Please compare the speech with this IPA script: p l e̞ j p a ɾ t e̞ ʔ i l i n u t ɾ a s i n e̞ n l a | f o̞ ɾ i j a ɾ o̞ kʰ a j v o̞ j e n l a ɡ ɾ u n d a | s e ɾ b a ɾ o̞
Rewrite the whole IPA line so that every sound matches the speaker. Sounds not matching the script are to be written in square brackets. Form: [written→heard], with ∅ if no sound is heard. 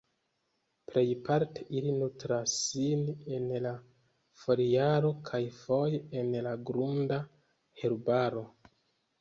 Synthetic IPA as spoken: p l e̞ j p a ɾ t e̞ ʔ i l i n u t ɾ a s i n e̞ n l a | f o̞ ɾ i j a ɾ o̞ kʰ a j [v→f] o̞ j e n l a ɡ ɾ u n d a | [s→h] e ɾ b a ɾ o̞